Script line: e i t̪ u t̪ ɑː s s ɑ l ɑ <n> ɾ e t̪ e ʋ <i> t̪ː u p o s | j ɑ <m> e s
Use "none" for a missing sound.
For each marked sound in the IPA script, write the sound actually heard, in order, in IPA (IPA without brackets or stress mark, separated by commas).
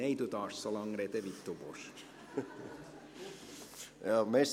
ŋ, i, m